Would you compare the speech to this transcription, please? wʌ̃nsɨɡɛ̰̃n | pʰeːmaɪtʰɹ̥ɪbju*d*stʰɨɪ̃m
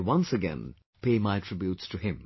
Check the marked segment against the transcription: incorrect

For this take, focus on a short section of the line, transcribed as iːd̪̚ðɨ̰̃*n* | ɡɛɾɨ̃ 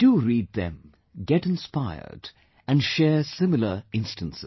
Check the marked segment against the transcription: incorrect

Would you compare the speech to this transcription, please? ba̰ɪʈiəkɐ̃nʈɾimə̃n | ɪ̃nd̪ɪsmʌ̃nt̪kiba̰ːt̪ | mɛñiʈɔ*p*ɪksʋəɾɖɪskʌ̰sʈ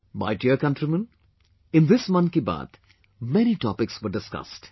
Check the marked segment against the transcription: correct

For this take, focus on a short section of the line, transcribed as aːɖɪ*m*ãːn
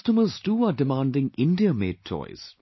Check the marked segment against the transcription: correct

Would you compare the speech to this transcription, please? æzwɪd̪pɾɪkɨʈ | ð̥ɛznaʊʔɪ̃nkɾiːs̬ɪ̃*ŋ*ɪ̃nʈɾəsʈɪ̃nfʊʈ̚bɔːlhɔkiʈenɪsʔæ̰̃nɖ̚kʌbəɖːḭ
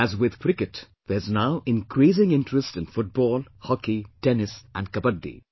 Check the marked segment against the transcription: correct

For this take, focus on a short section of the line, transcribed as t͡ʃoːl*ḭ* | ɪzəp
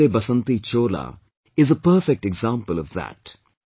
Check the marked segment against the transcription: incorrect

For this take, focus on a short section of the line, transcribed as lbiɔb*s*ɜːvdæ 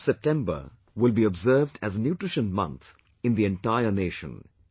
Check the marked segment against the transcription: incorrect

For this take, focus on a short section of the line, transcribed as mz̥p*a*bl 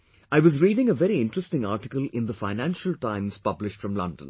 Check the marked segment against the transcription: incorrect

